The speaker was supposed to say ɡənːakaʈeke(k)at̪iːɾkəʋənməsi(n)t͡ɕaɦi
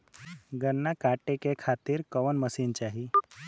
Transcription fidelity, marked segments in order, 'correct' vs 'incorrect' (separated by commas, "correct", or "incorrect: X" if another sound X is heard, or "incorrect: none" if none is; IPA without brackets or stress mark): incorrect: kʰ, correct